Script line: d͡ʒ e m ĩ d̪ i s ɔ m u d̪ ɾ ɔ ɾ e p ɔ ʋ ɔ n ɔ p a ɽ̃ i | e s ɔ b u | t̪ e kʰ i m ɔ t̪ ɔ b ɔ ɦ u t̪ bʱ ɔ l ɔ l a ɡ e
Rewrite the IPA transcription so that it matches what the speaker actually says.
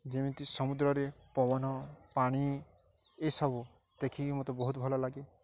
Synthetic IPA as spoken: d͡ʒ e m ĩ t̪ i s ɔ m u d̪ ɾ ɔ ɾ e p ɔ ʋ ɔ n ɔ p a ɽ̃ i | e s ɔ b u | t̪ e kʰ i m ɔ t̪ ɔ b ɔ ɦ u t̪ bʱ ɔ l ɔ l a ɡ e